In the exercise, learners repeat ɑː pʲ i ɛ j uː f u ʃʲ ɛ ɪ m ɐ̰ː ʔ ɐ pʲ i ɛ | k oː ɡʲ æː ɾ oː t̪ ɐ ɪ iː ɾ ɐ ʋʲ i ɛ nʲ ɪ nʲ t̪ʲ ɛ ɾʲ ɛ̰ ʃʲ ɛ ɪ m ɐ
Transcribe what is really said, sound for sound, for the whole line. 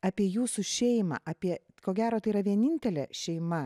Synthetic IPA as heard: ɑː pʲ i ɛ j uː s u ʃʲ ɛ ɪ m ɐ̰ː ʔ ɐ pʲ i ɛ | k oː ɡʲ æː ɾ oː t̪ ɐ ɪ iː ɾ ɐ ʋʲ i ɛ nʲ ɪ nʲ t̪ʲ ɛ lʲ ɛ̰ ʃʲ ɛ ɪ m ɐ